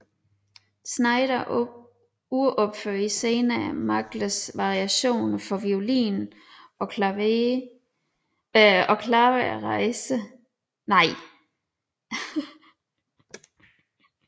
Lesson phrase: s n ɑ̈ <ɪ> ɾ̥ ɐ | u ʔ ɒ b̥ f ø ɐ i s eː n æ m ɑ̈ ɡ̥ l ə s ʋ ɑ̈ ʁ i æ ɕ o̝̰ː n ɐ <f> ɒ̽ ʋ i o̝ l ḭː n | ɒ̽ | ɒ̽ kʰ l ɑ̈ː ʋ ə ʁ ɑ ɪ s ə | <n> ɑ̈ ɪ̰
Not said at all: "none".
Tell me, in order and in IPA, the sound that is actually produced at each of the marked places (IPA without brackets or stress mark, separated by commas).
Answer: ɪ, f, n